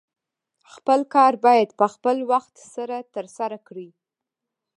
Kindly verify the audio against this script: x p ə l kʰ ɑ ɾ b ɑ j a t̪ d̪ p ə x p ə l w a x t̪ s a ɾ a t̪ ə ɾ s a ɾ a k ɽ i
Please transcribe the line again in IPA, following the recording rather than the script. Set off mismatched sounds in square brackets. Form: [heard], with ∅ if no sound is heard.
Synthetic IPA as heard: x p ə l [k] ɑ ɾ b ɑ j a [∅] d̪ p ə x p ə l w a x t̪ s a ɾ a t̪ ə ɾ s a ɾ a k ɽ i